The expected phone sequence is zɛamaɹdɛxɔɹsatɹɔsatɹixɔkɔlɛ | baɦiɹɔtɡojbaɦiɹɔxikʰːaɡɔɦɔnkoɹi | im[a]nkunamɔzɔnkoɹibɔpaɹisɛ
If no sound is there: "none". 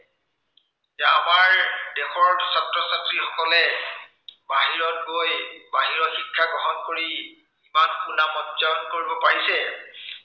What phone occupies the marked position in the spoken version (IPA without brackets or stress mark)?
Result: a